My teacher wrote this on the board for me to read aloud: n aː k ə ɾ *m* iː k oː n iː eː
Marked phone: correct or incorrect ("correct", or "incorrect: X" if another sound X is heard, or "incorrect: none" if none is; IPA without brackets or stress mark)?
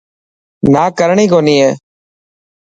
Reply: incorrect: ɳ